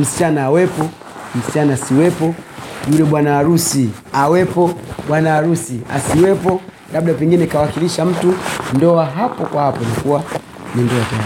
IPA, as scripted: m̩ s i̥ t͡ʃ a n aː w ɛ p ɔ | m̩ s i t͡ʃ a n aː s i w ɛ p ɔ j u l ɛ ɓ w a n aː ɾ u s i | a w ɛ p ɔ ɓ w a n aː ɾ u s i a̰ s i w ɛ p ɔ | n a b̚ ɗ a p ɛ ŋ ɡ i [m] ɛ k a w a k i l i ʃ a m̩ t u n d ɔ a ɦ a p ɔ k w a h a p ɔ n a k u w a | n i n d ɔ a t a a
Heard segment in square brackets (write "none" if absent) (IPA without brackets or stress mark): n